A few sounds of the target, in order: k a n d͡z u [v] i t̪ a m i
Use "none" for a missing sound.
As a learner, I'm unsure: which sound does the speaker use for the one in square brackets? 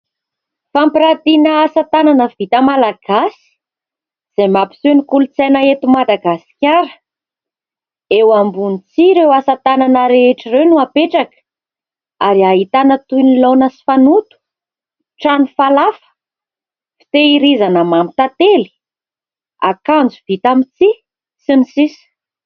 v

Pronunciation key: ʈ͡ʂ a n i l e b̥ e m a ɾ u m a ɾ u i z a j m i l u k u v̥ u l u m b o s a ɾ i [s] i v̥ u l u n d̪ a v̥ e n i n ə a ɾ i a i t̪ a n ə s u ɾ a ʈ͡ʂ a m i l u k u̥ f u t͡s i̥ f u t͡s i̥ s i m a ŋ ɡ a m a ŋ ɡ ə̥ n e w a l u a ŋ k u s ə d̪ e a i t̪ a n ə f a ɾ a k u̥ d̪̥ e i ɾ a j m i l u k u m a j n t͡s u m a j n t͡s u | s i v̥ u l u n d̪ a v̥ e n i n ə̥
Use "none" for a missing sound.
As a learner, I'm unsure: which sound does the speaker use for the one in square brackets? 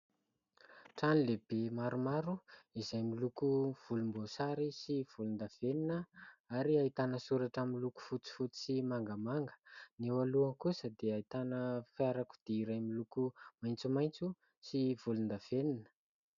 s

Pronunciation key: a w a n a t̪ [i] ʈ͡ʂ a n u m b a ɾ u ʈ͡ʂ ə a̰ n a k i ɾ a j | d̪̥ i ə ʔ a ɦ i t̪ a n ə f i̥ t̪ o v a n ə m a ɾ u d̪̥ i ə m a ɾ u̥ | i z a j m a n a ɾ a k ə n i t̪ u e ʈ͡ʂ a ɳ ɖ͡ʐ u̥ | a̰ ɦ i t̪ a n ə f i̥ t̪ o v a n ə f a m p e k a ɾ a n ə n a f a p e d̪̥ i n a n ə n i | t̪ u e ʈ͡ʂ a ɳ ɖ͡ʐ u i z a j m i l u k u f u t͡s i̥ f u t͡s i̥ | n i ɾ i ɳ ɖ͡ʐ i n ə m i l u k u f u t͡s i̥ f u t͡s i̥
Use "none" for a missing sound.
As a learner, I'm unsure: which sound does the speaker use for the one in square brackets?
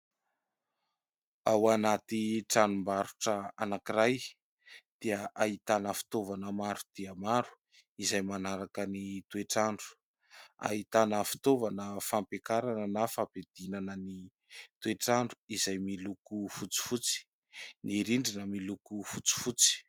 i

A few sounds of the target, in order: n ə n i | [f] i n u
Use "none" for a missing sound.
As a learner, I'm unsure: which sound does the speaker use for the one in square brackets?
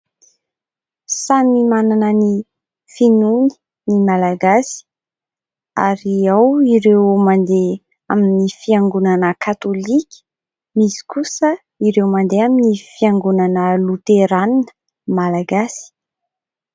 f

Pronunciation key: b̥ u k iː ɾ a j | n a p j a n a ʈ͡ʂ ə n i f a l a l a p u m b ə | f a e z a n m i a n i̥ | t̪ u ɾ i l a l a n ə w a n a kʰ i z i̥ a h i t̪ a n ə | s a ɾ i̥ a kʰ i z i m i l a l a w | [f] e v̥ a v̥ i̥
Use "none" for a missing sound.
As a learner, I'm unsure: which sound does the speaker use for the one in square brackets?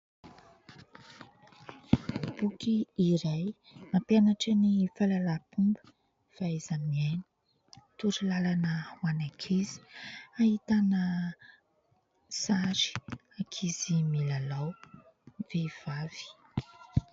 v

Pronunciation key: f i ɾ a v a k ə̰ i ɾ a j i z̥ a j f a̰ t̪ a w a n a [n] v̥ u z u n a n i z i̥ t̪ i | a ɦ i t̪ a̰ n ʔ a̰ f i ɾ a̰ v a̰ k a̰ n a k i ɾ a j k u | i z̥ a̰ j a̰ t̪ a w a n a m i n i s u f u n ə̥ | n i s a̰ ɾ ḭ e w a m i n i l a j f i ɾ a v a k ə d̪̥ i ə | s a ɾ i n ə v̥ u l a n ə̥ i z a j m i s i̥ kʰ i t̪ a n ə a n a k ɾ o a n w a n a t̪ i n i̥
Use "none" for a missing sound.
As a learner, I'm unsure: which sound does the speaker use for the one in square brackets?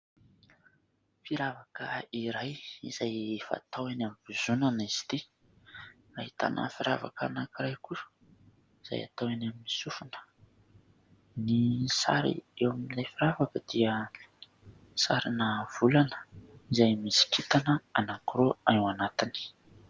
m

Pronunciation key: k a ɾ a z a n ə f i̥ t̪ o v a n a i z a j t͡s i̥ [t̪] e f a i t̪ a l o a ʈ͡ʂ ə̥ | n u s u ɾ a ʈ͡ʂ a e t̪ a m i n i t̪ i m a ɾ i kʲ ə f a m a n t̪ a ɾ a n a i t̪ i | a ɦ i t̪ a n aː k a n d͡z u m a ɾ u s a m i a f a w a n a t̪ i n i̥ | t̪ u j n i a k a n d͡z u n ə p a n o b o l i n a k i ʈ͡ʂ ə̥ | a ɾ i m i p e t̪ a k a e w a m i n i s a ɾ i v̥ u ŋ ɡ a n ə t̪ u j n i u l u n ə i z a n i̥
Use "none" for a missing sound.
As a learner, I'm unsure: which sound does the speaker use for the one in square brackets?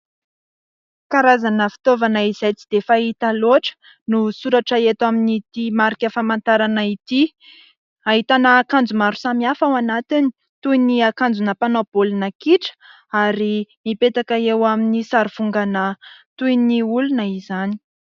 d̪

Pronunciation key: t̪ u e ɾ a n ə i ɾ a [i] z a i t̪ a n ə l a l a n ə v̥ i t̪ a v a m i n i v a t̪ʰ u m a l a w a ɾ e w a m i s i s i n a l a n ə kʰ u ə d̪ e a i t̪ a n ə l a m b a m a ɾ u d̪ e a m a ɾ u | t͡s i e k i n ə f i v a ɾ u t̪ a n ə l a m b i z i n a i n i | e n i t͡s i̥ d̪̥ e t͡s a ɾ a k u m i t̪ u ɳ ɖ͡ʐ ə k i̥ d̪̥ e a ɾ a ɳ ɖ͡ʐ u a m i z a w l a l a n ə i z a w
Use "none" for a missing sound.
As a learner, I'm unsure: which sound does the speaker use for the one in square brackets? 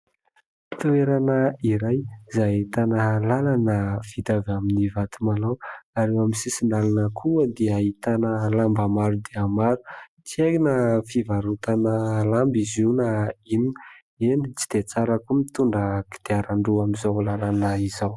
j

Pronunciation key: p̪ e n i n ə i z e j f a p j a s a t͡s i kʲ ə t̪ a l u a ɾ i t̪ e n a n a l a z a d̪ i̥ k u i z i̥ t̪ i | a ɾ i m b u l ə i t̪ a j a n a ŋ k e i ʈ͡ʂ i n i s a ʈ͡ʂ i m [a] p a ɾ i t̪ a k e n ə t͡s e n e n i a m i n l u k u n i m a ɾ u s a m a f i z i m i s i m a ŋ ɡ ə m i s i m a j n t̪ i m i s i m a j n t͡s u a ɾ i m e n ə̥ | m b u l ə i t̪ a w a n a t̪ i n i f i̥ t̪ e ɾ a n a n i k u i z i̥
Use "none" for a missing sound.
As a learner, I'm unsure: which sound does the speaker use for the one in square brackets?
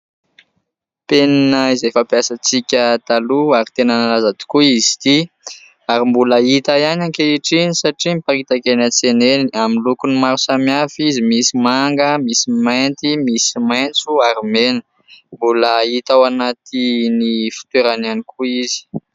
i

